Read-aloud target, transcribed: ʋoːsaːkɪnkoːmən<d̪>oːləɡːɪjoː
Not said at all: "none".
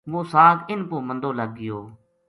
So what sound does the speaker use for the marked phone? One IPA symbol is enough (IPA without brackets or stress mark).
d̪